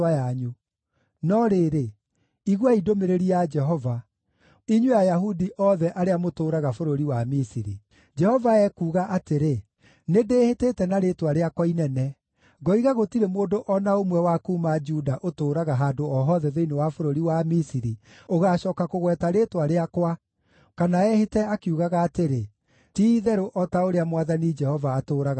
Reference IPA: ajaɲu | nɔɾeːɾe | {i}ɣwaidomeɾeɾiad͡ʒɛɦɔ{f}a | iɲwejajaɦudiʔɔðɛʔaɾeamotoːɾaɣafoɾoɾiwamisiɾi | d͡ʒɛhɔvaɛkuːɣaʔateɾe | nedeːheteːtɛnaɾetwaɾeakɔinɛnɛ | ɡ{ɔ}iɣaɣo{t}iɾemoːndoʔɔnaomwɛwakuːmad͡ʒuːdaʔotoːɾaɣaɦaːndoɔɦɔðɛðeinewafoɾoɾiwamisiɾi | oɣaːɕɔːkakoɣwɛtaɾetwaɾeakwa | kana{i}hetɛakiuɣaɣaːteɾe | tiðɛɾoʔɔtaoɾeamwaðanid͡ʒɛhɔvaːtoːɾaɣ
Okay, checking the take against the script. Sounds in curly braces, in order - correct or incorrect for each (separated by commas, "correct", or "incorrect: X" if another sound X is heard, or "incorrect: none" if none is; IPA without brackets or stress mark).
correct, incorrect: v, correct, correct, incorrect: ɛ